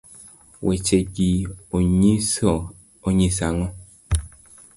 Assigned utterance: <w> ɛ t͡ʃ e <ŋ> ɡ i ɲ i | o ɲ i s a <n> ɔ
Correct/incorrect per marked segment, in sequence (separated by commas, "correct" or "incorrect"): correct, incorrect, incorrect